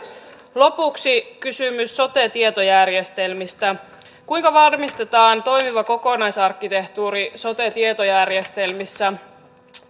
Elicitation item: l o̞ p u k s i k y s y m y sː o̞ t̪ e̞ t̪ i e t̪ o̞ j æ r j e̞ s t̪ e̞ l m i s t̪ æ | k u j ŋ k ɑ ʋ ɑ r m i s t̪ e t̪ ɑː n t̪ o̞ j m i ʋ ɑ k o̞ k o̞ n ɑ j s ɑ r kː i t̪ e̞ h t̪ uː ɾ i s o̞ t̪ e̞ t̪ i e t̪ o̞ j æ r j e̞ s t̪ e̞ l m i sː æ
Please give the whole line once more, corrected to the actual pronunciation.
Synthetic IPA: l o̞ p u k s i k y s y m y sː o̞ t̪ e̞ t̪ i e t̪ o̞ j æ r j e̞ s t̪ e̞ l m i s t̪ æ | k u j ŋ k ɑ ʋ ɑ r m i s t̪ e t̪ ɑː n t̪ o̞ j m i ʋ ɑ k o̞ k o̞ n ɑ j s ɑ r kː i t̪ e̞ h t̪ uː ɾ i s o̞ t̪ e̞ t̪ i e t̪ o̞ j æ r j e̞ s t̪ e̞ l m i sː æ